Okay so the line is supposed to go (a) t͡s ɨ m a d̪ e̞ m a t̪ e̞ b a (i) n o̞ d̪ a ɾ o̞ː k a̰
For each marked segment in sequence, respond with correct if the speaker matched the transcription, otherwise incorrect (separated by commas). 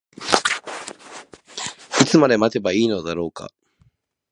incorrect, incorrect